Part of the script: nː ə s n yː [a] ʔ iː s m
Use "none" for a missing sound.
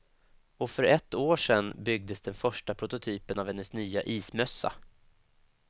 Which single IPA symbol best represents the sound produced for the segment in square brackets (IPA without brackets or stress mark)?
a